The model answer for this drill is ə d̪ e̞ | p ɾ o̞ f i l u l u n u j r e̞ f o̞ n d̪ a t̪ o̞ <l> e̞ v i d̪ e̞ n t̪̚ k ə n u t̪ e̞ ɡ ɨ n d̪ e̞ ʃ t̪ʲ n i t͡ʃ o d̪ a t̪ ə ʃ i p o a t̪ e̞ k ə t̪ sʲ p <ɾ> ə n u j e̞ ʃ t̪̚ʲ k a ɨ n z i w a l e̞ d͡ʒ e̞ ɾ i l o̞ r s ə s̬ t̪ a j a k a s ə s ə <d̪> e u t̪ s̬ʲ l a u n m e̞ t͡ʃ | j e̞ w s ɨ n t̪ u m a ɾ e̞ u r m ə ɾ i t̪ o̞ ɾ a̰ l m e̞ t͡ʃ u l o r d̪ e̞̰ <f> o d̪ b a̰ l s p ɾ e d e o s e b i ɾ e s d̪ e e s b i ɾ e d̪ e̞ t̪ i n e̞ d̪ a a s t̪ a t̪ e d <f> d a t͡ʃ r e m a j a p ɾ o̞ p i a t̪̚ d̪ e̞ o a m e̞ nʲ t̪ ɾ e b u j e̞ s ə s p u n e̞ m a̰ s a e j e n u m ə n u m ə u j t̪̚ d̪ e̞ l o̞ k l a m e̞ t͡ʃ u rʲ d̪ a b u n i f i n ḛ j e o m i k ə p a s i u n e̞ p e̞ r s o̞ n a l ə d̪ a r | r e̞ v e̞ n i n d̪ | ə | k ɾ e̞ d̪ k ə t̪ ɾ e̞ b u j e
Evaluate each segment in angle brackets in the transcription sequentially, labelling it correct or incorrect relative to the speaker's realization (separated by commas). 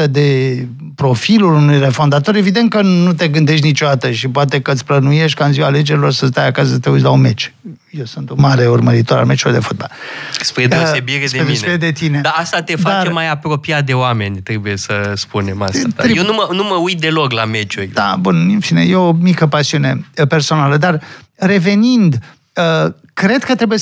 incorrect, incorrect, incorrect, correct, correct